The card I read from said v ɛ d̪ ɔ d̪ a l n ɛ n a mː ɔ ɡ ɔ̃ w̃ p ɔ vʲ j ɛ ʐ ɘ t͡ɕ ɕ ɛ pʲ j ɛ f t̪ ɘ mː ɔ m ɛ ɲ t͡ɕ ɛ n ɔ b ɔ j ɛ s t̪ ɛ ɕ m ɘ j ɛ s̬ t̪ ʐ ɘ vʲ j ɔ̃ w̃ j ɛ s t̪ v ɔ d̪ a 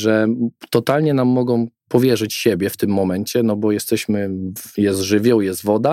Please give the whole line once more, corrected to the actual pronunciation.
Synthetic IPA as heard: ʐ ɛ t̪ ɔ t̪ a l ɲ ɛ n a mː ɔ ɡ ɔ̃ w̃ p ɔ vʲ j ɛ ʐ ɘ t͡ɕ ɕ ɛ bʲ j ɛ f t̪ ɘ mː ɔ m ɛ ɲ t͡ɕ ɛ n ɔ b ɔ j ɛ s t̪ ɛ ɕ m ɘ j ɛ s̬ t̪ ʐ ɘ vʲ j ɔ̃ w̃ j ɛ s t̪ v ɔ d̪ a